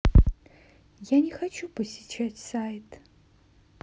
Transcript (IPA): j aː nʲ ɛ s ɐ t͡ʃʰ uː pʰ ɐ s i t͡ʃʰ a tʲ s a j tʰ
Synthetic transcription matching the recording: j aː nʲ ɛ x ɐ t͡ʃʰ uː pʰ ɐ s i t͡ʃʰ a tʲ s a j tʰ

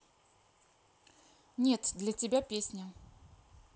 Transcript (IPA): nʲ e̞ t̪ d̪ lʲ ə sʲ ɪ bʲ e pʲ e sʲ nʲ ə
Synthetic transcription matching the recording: nʲ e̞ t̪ d̪ lʲ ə tʲ ɪ bʲ a pʲ e sʲ nʲ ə

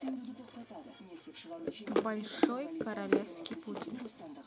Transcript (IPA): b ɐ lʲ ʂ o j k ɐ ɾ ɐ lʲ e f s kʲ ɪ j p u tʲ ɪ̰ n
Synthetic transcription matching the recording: b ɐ lʲ ʂ o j k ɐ ɾ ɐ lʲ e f s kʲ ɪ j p u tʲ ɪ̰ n

